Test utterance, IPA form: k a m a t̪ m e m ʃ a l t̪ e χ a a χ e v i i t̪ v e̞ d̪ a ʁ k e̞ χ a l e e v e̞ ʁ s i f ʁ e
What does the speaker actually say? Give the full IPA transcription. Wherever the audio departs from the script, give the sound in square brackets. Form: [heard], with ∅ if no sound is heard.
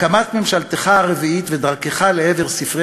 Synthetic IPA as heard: k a m a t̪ m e m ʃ a l t̪ e χ a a [ʁ] e v i i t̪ v e̞ d̪ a ʁ k e̞ χ a l e e v e̞ ʁ s i f ʁ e